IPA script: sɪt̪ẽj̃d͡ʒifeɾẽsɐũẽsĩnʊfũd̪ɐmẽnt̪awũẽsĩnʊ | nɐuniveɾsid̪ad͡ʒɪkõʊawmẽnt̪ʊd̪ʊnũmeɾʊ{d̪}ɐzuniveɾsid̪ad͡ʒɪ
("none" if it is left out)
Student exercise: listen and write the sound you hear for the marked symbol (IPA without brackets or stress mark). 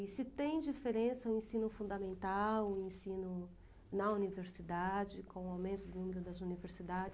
d̪